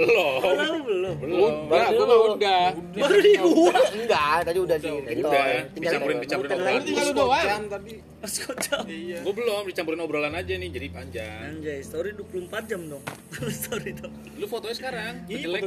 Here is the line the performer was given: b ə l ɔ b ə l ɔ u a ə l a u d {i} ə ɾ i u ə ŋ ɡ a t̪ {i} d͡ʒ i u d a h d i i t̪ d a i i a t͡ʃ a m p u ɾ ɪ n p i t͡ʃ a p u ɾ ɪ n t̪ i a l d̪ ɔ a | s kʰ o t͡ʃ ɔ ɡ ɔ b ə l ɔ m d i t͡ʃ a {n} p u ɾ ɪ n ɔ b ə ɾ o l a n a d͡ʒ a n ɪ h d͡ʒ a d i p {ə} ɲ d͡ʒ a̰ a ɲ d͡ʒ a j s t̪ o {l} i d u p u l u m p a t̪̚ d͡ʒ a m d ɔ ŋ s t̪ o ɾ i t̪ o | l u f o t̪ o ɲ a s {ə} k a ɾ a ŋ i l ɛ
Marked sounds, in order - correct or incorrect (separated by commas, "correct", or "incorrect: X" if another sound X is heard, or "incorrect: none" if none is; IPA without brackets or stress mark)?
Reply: incorrect: a, incorrect: a, incorrect: m, incorrect: a, incorrect: ɾ, correct